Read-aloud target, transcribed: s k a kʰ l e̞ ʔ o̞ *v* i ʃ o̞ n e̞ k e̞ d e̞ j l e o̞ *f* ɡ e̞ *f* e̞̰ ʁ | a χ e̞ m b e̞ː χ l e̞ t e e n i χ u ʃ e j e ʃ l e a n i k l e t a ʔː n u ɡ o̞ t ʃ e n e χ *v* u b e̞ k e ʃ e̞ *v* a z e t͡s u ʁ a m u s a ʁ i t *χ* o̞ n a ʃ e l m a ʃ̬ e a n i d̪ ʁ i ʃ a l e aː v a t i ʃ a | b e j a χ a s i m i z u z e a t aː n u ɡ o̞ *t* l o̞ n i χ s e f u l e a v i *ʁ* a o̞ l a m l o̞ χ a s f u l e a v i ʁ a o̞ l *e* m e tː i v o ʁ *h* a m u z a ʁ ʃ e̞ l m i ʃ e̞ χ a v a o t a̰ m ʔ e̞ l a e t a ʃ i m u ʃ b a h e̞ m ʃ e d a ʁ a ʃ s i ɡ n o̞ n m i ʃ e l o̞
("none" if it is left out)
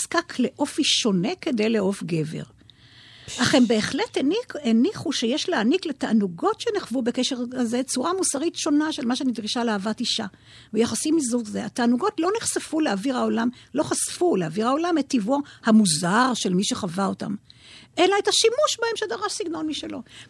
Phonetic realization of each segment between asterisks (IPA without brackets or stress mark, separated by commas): f, f, v, v, ʁ, ʃ, t, ʁ, a, h